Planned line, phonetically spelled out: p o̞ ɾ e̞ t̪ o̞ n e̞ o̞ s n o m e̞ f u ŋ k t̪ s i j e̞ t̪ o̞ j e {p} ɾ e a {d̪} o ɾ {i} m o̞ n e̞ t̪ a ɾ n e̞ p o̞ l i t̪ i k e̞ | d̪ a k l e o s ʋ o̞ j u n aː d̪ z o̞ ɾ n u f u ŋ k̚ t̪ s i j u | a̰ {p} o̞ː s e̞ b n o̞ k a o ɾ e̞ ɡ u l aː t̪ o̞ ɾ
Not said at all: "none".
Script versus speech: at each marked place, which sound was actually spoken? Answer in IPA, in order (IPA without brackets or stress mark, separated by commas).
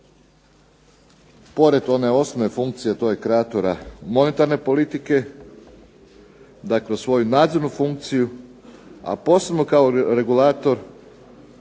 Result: k, t̪, a, p